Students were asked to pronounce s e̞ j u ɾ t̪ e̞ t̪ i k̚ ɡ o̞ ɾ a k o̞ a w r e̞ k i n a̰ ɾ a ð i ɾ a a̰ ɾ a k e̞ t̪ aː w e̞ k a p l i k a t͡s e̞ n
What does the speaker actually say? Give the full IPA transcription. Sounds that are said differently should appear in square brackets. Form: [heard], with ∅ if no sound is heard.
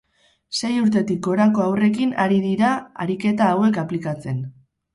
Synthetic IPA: s e̞ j u ɾ t̪ e̞ t̪ i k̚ ɡ o̞ ɾ a k o̞ a w r e̞ k i n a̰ ɾ [i] ð i ɾ a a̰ ɾ [i] k e̞ t̪ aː w e̞ k a p l i k a t͡s e̞ n